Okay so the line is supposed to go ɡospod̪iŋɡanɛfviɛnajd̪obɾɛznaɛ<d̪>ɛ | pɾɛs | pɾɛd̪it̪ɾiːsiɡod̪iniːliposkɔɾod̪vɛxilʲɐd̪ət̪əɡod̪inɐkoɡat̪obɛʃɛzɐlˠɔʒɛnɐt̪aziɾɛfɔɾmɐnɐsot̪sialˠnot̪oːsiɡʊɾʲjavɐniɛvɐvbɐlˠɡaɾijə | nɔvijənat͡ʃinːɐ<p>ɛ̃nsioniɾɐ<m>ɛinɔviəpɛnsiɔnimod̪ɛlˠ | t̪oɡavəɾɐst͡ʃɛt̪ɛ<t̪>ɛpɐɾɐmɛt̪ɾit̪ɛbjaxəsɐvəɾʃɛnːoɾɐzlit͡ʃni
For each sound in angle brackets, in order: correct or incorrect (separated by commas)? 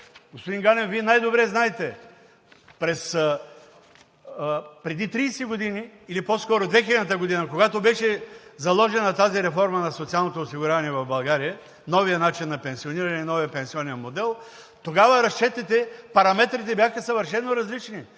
incorrect, correct, incorrect, correct